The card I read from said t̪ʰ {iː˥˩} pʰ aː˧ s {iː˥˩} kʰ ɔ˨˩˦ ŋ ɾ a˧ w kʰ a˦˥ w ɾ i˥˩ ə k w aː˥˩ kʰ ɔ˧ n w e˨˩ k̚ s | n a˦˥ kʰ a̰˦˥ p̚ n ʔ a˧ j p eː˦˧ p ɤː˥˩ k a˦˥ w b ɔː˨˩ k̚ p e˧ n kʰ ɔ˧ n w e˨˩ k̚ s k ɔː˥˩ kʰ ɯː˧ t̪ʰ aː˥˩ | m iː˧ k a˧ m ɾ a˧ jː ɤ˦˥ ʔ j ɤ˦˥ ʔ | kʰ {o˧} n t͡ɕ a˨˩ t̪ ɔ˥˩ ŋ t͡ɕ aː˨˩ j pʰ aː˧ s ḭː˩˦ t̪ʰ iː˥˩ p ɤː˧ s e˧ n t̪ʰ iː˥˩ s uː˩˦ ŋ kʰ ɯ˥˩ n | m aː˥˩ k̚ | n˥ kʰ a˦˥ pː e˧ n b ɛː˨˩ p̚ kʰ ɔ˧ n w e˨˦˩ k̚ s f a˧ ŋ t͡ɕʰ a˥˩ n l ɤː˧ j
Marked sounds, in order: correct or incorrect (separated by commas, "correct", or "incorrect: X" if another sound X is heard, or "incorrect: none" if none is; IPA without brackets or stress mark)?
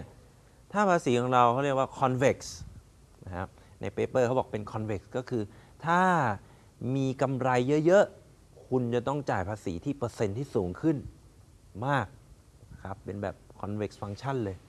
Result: incorrect: aː˥˩, incorrect: iː˩˦, incorrect: u˧